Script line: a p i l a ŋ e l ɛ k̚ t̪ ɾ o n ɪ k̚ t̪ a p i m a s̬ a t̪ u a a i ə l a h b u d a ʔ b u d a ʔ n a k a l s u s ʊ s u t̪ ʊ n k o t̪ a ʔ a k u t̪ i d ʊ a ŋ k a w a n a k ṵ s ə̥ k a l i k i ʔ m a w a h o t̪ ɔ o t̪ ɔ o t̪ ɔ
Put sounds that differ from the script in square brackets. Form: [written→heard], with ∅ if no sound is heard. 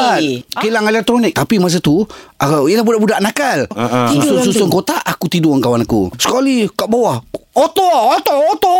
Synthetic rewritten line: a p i l a ŋ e l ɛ k̚ t̪ ɾ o n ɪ k̚ t̪ a p i m a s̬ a t̪ u a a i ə l a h b u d a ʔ b u d a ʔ n a k a l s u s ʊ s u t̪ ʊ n k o t̪ a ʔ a k u t̪ i d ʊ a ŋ k a w a n a k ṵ s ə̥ k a l i k [i→a] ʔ [m→b] a w a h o t̪ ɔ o t̪ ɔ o t̪ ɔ